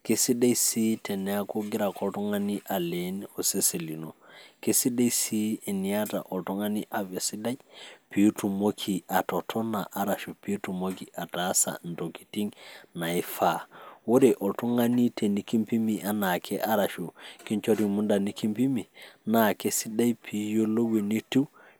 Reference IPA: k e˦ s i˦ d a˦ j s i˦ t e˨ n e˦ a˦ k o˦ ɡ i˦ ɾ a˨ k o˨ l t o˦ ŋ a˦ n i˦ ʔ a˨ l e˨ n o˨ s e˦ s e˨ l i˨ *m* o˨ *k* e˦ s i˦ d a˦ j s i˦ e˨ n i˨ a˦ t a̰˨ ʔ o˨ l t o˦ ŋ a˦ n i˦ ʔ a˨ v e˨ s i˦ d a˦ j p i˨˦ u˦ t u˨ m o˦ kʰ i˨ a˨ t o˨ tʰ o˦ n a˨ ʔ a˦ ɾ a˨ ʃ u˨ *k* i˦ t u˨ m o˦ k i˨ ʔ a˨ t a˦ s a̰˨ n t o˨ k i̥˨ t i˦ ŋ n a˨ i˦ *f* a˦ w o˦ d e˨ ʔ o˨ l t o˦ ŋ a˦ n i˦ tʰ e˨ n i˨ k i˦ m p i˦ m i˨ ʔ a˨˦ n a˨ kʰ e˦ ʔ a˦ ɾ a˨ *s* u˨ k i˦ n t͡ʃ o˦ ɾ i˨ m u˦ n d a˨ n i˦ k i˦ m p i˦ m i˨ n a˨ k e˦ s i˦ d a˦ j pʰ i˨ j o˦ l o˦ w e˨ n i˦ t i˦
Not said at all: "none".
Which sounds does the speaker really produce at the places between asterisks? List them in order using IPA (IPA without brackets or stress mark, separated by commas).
n, k, p, f, ʃ